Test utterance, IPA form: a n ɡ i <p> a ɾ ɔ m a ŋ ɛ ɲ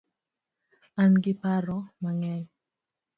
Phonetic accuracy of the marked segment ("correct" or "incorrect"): correct